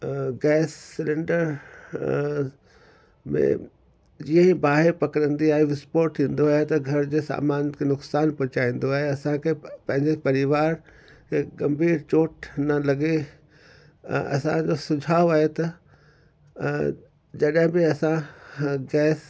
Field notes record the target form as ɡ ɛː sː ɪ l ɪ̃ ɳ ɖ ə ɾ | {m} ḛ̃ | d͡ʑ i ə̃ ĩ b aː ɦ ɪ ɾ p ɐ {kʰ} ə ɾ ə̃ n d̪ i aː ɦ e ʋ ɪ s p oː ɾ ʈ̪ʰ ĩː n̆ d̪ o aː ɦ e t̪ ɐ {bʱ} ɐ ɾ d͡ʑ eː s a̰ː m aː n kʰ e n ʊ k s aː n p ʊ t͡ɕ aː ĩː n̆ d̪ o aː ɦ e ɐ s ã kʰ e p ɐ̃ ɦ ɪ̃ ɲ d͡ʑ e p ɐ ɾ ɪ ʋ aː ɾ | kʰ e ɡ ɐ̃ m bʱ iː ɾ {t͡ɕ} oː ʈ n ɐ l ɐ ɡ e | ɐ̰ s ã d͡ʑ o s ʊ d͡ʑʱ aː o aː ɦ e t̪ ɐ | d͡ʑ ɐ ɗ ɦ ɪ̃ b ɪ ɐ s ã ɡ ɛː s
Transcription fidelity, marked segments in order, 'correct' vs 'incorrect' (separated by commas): correct, incorrect, incorrect, correct